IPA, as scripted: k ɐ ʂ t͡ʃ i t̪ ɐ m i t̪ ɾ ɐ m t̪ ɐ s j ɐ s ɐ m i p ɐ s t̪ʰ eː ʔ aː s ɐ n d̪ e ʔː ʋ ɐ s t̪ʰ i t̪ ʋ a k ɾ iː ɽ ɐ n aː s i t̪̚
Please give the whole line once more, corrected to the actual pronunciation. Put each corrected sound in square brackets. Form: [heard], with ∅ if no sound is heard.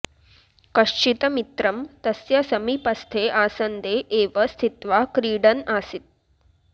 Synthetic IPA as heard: k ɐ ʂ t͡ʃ i t̪ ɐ m i t̪ ɾ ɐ m t̪ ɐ s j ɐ s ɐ m i p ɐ s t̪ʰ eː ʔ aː s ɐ n d̪ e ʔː ʋ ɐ s t̪ʰ i t̪ ʋ a k ɾ iː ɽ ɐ n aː s i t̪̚